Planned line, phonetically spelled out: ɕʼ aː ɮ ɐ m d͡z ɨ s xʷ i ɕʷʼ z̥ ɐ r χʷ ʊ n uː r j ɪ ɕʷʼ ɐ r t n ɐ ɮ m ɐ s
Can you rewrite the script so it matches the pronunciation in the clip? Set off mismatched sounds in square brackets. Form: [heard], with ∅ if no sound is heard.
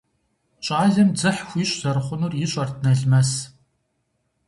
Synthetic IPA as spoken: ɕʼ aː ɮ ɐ m d͡z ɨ [ħ] xʷ i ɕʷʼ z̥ ɐ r χʷ ʊ n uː r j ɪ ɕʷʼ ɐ r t n ɐ ɮ m ɐ s